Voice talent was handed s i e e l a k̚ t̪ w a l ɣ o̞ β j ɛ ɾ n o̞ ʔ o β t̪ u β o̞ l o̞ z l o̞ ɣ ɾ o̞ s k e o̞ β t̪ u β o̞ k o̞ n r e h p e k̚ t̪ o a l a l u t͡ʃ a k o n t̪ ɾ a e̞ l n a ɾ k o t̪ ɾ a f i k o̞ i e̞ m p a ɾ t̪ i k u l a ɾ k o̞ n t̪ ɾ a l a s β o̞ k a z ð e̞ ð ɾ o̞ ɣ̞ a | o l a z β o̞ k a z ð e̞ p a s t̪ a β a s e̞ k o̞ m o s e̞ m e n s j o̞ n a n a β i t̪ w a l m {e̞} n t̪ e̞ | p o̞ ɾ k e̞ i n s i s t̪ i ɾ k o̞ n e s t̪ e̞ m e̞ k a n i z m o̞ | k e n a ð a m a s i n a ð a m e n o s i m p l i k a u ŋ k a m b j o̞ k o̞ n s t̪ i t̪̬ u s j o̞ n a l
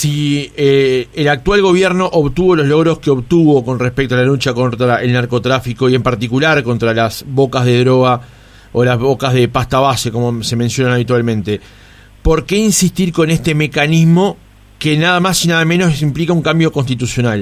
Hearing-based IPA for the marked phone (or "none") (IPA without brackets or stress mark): ẽ̞